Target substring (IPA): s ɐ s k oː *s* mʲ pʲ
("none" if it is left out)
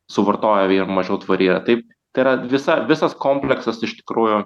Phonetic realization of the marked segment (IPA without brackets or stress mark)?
none